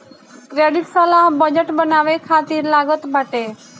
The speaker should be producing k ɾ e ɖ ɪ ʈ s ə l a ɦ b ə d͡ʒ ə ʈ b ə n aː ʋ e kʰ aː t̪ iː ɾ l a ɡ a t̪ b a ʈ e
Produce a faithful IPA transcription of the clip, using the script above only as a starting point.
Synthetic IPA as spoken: k ɾ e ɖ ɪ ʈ s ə l a ɦ b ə d͡ʒ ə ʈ b ə n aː ʋ e kʰ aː t̪ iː ɾ l a ɡ ə t̪ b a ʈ e